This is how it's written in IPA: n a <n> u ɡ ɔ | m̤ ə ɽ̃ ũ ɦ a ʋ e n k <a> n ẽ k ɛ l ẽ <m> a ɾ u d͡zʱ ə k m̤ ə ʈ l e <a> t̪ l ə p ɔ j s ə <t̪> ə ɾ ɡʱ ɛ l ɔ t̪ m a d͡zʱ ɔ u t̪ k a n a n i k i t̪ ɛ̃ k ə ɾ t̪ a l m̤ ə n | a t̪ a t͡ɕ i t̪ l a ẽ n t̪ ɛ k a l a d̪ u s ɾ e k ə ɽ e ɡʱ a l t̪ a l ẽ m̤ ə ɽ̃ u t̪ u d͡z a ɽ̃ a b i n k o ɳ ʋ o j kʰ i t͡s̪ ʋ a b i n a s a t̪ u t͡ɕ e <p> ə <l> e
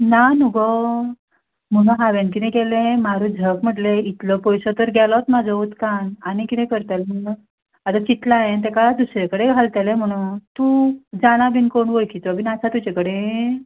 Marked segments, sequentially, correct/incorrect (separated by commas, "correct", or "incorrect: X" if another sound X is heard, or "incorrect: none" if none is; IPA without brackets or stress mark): correct, incorrect: i, correct, incorrect: i, correct, incorrect: k, incorrect: ɽ